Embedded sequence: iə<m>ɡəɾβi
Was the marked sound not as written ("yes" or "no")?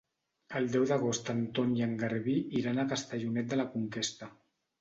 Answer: yes